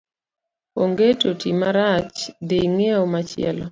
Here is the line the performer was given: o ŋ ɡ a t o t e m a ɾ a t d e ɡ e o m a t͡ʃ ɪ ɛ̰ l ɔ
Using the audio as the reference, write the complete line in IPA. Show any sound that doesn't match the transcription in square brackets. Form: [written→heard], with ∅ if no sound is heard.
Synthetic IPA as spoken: o ŋ ɡ [a→e] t o t [e→i] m a ɾ a [t→t͡ʃ] d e [ɡ→ŋ] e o m a t͡ʃ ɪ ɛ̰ l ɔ